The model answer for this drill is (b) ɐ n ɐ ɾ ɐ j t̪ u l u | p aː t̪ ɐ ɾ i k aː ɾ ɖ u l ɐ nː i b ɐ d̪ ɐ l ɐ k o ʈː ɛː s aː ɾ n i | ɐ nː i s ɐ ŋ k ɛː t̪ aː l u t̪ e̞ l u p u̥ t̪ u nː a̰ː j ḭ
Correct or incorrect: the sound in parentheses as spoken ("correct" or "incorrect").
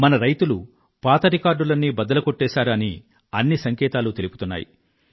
incorrect